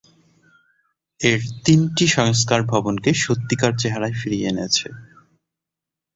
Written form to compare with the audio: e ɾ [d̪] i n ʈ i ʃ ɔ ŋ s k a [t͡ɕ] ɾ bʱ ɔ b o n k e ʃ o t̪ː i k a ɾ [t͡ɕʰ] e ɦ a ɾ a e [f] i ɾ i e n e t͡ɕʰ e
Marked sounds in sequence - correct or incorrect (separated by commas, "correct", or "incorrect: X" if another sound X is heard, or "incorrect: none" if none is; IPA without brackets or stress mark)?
incorrect: t̪, incorrect: none, incorrect: t͡ɕ, correct